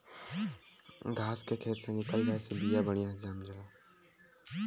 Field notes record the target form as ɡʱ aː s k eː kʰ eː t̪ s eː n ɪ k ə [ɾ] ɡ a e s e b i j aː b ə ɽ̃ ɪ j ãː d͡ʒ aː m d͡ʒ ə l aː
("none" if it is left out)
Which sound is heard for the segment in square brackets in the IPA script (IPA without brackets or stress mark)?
l